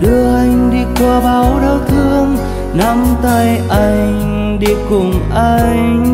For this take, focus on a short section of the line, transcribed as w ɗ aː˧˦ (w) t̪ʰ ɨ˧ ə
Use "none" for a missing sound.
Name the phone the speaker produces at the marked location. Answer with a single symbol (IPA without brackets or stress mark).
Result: w